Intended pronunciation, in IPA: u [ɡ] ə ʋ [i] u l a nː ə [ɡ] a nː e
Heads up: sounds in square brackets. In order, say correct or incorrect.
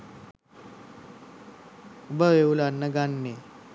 incorrect, incorrect, correct

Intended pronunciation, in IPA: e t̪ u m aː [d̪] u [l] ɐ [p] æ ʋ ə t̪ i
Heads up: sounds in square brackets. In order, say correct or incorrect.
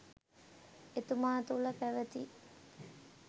incorrect, correct, correct

